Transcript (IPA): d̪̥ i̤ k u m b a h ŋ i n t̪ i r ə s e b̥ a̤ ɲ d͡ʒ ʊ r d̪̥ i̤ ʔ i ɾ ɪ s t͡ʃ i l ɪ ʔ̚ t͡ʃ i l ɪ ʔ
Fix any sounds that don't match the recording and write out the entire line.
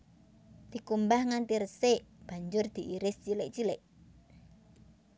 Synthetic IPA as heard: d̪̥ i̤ k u m b a h ŋ a n t̪ i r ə s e b̥ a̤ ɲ d͡ʒ ʊ r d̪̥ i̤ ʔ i ɾ ɪ s t͡ʃ i l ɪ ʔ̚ t͡ʃ i l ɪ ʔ